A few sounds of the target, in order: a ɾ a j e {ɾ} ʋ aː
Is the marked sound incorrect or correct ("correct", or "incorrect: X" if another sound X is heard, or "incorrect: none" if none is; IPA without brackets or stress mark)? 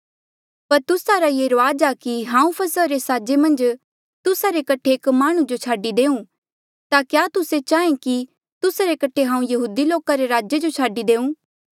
correct